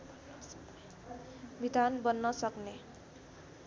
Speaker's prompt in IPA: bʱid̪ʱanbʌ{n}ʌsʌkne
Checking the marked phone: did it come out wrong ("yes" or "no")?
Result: yes